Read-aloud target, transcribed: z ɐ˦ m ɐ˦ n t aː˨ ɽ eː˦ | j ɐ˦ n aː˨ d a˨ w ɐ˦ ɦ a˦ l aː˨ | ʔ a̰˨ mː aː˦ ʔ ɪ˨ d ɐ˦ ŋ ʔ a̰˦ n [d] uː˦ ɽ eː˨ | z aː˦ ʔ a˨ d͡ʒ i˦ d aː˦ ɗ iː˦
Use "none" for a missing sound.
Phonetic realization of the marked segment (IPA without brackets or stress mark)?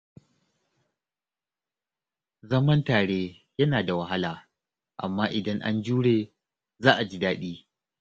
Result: d͡ʒ